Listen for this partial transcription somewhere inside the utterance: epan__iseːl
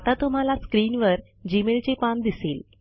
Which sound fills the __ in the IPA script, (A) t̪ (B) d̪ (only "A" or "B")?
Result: B